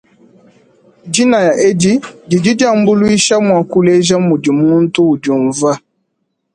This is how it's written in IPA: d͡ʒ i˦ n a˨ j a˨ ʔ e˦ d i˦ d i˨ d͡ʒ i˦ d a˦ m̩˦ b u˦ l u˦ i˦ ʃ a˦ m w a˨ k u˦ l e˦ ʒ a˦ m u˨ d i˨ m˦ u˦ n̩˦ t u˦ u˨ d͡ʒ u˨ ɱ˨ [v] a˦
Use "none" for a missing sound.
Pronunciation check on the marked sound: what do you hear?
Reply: v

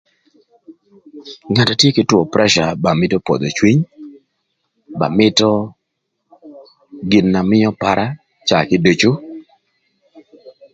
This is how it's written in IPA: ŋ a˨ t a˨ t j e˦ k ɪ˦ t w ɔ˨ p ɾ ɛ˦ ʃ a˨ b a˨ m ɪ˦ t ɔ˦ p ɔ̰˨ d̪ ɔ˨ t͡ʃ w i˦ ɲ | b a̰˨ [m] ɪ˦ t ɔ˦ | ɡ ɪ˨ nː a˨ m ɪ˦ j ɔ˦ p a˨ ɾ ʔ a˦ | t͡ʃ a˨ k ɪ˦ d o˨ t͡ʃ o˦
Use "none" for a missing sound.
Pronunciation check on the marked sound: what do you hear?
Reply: m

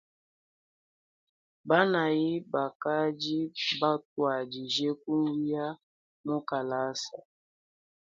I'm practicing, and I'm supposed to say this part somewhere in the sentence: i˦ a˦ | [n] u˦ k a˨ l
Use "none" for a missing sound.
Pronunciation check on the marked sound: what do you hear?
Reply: m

